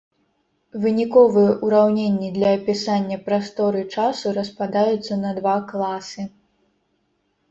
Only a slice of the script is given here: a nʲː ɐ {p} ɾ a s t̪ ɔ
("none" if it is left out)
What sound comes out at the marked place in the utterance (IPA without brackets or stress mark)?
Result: p